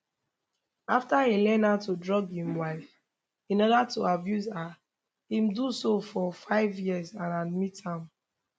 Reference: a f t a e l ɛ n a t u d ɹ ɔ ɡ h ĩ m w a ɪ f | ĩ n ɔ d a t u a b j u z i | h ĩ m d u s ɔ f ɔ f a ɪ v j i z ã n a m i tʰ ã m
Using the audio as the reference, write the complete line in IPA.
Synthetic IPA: a f t a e l ɛ n a t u d ɹ ɔ ɡ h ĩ m w a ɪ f | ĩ n ɔ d a t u a b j u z a | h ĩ m d u s o f ɔ f a ɪ v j i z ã n a m i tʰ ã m